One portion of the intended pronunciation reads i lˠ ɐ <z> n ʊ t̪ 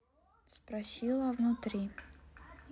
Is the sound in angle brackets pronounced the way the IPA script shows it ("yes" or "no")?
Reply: no